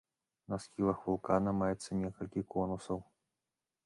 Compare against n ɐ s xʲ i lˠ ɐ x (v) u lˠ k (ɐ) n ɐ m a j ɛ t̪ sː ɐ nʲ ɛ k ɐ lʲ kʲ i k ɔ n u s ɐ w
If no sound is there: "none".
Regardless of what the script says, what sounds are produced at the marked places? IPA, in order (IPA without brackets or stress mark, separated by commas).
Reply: v, a